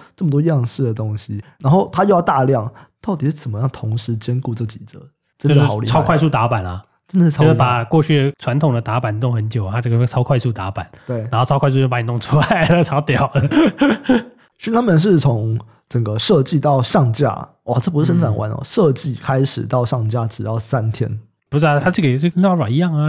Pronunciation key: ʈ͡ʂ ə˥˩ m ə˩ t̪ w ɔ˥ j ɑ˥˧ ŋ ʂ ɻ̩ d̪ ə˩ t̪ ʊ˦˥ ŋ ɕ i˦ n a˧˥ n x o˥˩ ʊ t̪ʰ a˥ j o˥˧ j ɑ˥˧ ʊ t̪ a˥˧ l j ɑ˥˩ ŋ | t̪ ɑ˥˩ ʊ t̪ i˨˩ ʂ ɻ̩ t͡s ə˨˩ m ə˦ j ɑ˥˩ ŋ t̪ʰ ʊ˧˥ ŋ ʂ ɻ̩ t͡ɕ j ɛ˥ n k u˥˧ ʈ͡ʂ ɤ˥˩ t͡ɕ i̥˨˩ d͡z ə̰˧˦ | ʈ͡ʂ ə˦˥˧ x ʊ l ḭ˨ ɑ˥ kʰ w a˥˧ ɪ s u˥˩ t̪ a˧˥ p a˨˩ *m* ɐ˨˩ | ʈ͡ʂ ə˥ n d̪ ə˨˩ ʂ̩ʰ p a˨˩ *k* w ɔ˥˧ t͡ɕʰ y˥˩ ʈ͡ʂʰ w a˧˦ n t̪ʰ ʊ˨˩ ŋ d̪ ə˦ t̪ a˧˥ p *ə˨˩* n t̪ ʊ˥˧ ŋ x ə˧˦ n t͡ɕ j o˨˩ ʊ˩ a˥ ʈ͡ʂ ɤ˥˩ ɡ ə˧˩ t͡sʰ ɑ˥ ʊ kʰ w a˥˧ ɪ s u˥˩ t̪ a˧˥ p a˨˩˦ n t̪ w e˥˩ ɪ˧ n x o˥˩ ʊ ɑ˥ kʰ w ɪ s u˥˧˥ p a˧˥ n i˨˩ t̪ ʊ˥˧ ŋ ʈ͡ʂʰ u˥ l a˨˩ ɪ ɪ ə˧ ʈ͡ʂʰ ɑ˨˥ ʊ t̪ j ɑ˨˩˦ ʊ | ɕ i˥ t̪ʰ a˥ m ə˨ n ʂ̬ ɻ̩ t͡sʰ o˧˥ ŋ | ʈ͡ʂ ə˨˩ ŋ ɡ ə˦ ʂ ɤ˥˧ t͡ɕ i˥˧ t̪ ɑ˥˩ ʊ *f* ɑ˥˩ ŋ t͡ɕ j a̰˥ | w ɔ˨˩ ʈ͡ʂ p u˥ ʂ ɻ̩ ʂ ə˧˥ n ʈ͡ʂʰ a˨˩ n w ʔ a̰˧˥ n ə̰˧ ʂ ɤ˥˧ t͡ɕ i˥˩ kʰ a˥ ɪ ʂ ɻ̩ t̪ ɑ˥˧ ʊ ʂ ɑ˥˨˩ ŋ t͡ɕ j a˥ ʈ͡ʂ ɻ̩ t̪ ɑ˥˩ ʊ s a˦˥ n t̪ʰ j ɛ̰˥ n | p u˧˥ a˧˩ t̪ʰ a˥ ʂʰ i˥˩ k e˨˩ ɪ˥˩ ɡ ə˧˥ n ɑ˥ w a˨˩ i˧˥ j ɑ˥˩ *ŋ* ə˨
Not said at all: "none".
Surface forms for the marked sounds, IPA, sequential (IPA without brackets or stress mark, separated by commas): n, k, a˨˩, ʂ, ŋ